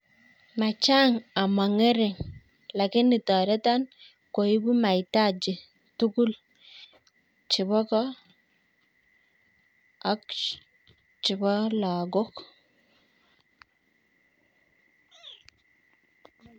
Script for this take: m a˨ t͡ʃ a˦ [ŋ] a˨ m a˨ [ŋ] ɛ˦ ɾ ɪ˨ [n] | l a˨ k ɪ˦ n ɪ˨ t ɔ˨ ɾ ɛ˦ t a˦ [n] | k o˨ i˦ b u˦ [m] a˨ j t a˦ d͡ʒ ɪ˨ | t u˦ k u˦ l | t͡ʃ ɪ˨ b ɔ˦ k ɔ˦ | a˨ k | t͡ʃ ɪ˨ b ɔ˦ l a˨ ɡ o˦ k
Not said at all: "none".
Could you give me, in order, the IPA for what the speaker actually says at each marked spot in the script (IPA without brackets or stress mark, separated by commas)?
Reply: ŋ, ŋ, ŋ, n, m